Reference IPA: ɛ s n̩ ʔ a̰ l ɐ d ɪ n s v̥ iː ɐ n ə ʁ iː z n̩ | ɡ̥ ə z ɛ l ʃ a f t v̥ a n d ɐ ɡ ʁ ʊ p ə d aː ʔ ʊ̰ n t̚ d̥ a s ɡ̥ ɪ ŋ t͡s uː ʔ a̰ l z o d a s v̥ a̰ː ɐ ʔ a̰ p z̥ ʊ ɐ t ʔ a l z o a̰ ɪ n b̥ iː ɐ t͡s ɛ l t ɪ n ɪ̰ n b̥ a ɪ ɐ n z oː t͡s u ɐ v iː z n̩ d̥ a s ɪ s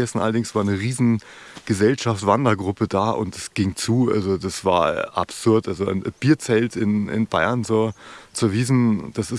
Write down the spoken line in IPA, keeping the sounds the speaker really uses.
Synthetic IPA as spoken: ɛ s n̩ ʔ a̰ l ɐ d ɪ ŋ s v̥ aː ɐ n ə ʁ iː z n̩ | ɡ̥ ə z ɛ l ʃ a f t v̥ a n d ɐ ɡ ʁ ʊ p ə d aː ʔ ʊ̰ n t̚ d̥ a s ɡ̥ ɪ ŋ t͡s uː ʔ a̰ l z o d a s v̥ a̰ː ɐ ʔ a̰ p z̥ ʊ ɐ t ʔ a l z o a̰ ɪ n b̥ iː ɐ t͡s ɛ l t ɪ n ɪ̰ n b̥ a ɪ ɐ n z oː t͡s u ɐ v iː z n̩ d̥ a s ɪ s

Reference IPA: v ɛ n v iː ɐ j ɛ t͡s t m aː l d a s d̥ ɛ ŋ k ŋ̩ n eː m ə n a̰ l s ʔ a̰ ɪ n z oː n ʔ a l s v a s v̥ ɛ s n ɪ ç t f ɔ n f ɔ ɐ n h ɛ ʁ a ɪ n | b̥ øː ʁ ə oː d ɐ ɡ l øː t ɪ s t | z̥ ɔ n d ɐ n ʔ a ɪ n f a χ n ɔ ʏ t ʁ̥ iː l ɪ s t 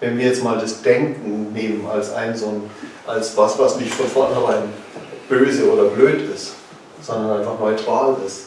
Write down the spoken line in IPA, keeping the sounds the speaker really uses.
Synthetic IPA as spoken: v ɛ n v iː ɐ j ɛ t͡s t m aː l d a s d̥ ɛ ŋ k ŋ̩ n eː m ə n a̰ l s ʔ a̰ ɪ n z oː n ʔ a l s v a s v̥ a s n ɪ ç t f ɔ n f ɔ ɐ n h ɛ ʁ a ɪ n | b̥ øː z ə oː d ɐ b l øː t ɪ s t | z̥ ɔ n d ɐ n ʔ a ɪ n f a χ n ɔ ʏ t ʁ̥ aː l ɪ s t

